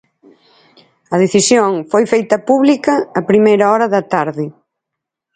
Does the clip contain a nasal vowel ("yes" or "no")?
no